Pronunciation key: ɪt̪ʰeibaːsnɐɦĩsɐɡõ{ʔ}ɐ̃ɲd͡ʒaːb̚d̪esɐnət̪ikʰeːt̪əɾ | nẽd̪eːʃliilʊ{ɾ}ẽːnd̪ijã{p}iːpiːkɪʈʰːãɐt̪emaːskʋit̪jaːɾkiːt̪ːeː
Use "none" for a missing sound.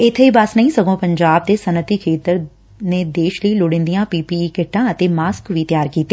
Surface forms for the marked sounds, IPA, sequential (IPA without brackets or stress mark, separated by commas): p, ɽ, p